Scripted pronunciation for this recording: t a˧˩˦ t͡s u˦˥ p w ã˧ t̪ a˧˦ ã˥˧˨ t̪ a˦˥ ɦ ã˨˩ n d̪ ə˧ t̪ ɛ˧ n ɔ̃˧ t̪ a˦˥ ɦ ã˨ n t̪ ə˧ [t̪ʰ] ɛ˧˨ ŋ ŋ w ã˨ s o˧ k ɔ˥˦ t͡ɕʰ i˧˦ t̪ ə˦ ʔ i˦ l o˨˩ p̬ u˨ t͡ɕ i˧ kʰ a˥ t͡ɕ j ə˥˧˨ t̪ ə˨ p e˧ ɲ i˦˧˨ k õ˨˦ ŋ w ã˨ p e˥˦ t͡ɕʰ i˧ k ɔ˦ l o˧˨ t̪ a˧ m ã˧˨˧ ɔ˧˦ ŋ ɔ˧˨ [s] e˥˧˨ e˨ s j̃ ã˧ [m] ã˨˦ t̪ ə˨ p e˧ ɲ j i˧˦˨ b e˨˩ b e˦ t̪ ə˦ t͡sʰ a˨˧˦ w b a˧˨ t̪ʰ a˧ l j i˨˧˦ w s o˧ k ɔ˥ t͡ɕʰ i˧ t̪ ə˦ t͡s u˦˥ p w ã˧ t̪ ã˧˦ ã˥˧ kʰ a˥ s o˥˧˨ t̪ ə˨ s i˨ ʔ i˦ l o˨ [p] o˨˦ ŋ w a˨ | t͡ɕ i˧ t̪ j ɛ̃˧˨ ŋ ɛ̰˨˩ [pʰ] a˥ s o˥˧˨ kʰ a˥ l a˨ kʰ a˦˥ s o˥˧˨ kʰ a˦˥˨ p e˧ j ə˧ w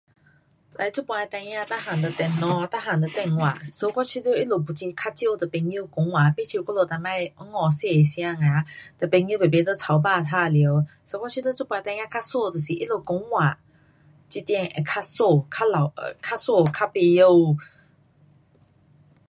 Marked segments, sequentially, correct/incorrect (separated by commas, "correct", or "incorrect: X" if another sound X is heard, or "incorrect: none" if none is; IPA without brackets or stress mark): incorrect: t̪, correct, incorrect: ŋ, incorrect: k, incorrect: kʰ